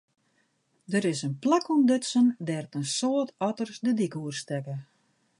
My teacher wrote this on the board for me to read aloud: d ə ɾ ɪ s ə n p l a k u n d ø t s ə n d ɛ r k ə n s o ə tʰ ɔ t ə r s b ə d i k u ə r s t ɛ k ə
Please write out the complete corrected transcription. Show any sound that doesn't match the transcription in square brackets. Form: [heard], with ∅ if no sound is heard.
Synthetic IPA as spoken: d ə ɾ ɪ s ə n p l a k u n d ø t s ə n d ɛ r [t] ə n s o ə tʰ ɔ t ə r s [d] ə d i k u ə r s t ɛ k ə